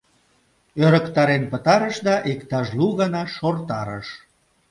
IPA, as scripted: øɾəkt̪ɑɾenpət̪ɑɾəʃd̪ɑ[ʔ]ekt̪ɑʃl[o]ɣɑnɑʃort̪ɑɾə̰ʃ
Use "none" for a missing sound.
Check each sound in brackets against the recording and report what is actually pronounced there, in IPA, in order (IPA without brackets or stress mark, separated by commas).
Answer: ʔ, u